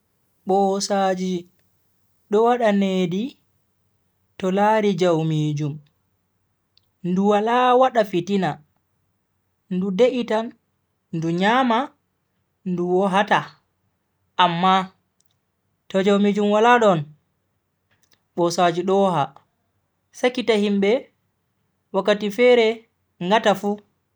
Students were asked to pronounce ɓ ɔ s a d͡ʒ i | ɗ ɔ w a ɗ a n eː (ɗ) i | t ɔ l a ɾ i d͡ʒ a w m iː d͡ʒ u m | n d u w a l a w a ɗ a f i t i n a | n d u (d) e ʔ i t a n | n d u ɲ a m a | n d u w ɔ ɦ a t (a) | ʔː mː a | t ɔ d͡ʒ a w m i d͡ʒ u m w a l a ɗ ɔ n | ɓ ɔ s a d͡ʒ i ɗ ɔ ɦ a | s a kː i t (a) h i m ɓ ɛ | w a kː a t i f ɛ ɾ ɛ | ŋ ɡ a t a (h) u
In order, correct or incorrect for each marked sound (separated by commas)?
incorrect, correct, correct, correct, incorrect